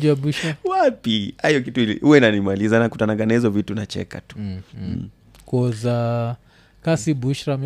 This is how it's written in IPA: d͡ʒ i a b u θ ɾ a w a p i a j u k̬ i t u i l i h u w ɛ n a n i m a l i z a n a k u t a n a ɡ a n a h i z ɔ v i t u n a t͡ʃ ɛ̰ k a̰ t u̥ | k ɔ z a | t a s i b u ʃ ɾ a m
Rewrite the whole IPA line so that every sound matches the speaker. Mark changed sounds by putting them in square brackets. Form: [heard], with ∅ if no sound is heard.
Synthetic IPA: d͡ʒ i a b u [ʃ] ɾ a w a p i a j [ɔ] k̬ i t u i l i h u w ɛ n a n i m a l i z a n a k u t a n a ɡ a n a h i z ɔ v i t u n a t͡ʃ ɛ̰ k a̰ t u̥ | k ɔ z a | [k] a s i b u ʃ ɾ a m